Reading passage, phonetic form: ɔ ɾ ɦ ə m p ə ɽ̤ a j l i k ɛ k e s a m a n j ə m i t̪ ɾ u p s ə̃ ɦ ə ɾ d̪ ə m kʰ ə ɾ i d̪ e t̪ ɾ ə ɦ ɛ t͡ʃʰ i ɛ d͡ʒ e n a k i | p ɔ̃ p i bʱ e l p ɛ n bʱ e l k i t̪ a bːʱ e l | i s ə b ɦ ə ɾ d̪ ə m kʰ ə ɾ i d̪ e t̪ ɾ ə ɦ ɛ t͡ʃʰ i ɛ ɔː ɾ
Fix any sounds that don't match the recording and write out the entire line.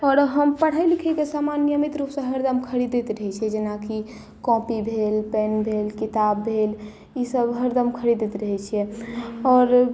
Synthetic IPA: ɔ ɾ ɦ ə m p ə ɽ̤ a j l i kʰ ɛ k e s a m a n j ə m i t̪ ɾ u p s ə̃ ɦ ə ɾ d̪ ə m kʰ ə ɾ i d̪ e t̪ ɾ ə ɦ ɛ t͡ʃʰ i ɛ d͡ʒ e n a k i | k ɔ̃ p i bʱ e l p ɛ n bʱ e l k i t̪ a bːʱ e l | i s ə b ɦ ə ɾ d̪ ə m kʰ ə ɾ i d̪ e t̪ ɾ ə ɦ ɛ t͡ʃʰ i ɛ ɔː ɾ

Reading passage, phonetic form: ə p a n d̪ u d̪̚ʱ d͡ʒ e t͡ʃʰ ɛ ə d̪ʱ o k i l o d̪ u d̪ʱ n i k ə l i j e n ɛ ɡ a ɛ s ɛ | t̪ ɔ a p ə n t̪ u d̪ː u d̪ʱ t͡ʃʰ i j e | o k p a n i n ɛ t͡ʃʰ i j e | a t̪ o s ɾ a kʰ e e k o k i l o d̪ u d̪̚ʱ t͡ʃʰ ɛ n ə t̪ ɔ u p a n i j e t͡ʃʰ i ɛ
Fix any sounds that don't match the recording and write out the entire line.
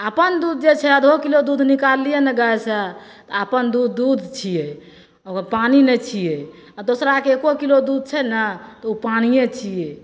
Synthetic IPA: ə p ə n d̪ u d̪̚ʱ d͡ʒ e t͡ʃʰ ɛ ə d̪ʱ o k i l o d̪ u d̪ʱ n i k a l i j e n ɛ ɡ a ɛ s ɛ | t̪ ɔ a p ə n d̪ u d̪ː u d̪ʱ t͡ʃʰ i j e | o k p a n i n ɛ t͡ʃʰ i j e | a d̪ o s ɾ a k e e k o k i l o d̪ u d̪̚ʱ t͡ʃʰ ɛ n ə t̪ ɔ u p a n i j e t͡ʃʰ i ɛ

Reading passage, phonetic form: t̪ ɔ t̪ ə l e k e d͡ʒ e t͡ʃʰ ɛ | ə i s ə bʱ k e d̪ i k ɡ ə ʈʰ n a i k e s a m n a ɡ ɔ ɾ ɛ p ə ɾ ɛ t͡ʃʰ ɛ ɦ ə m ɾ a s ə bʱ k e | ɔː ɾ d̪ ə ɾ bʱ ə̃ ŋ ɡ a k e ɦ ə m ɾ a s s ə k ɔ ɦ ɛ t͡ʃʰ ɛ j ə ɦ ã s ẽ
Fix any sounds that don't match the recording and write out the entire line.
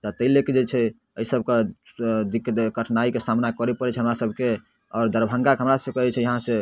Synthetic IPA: t̪ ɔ t̪ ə l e k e d͡ʒ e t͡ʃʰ ɛ | ə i s ə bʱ k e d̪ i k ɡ ə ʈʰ n a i k e s a m n a k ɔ ɾ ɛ p ə ɾ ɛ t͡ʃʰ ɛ ɦ ə m ɾ a s ə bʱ k e | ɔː ɾ d̪ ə ɾ bʱ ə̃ ŋ ɡ a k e ɦ ə m ɾ a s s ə k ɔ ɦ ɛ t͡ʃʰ ɛ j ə ɦ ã s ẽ

